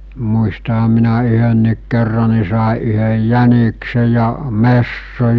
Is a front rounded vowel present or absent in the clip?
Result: present